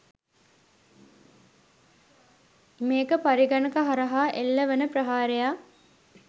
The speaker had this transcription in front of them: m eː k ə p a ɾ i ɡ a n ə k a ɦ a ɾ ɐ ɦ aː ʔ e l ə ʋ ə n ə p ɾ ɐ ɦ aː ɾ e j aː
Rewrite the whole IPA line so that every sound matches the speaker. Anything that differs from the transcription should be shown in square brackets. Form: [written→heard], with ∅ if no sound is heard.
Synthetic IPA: m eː k ə p a ɾ i ɡ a n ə k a ɦ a ɾ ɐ ɦ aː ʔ e [l→lː] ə ʋ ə n ə p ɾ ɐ ɦ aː ɾ e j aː